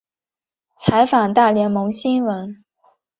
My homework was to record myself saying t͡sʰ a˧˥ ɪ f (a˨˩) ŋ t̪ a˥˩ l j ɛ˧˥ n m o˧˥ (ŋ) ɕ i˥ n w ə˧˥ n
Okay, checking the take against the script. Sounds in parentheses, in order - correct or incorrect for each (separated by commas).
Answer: correct, correct